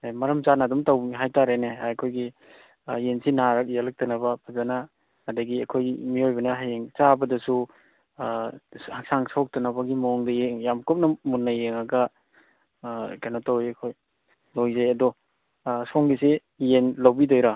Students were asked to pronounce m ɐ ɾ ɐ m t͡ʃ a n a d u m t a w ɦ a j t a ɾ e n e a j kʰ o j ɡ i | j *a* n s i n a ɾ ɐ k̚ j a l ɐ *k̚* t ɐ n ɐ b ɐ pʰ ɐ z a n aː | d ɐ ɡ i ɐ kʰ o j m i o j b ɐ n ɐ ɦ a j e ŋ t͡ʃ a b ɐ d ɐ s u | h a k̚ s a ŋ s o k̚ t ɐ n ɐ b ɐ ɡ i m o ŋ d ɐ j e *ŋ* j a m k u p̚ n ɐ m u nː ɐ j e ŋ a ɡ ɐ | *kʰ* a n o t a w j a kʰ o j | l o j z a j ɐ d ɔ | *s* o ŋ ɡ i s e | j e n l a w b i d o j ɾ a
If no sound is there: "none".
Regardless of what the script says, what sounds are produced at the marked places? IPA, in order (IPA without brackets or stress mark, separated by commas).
e, k̚, ŋ, k, s